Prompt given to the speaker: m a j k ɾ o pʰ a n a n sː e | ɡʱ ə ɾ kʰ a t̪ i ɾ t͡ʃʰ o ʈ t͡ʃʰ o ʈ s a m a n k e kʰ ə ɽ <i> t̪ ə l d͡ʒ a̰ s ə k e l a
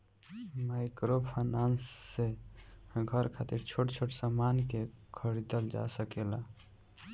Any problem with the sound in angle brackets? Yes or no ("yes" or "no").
no